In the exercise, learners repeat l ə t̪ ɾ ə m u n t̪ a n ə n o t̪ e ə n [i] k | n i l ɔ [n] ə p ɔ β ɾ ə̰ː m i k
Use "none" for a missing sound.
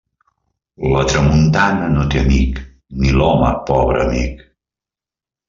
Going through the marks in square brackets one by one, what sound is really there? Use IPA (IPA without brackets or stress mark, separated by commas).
i, m